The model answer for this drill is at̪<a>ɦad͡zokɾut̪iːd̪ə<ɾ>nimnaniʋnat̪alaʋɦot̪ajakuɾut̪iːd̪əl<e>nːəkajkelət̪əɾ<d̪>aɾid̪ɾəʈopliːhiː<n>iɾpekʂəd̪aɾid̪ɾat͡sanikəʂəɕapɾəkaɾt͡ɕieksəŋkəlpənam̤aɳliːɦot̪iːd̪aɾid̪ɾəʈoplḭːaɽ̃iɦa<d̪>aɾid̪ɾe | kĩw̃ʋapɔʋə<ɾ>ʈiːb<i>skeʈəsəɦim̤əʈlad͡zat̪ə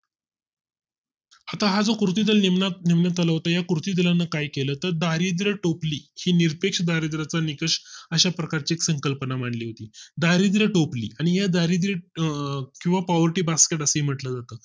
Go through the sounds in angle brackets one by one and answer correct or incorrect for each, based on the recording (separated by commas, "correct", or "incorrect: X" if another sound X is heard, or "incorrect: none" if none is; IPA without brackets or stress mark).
correct, incorrect: l, incorrect: a, correct, correct, correct, correct, incorrect: a